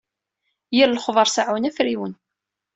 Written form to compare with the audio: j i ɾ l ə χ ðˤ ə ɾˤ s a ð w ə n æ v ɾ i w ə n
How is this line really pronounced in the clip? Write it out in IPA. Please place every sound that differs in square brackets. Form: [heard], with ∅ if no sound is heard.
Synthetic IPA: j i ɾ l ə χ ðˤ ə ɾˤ s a [ʕ] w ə n æ [f] ɾ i w ə n